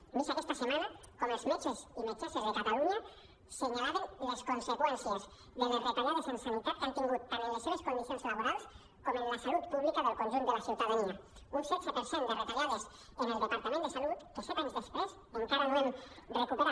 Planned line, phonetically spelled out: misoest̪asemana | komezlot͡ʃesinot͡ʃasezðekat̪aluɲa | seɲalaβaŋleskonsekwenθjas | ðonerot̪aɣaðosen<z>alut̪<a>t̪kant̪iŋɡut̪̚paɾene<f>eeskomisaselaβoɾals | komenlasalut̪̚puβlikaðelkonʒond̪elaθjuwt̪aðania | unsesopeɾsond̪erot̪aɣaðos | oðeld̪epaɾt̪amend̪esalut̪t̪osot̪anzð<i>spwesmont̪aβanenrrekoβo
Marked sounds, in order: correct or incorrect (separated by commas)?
incorrect, correct, incorrect, incorrect